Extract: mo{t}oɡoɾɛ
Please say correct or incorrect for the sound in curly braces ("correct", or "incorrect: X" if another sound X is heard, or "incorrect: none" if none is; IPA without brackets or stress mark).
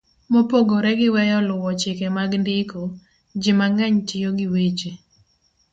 incorrect: p